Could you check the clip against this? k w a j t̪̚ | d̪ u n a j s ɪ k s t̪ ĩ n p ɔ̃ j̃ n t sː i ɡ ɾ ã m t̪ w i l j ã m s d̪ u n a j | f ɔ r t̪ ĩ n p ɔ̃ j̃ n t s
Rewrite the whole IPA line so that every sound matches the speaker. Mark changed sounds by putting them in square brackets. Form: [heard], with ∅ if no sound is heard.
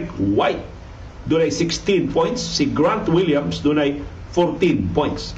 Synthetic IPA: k w a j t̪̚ | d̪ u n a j s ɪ k s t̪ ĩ n p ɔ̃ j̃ n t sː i ɡ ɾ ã [n] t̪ w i l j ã m s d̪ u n a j | f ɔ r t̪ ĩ n p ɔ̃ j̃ n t s